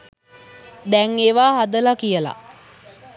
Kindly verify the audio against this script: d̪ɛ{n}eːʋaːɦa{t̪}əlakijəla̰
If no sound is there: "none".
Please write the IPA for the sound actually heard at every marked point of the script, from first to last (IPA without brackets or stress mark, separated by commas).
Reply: ŋ, d̪